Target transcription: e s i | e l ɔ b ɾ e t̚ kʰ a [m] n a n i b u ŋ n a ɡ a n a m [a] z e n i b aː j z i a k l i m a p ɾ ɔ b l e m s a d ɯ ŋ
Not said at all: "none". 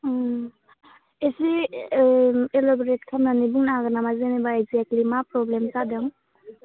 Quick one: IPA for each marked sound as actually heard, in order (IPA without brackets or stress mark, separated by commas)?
m, a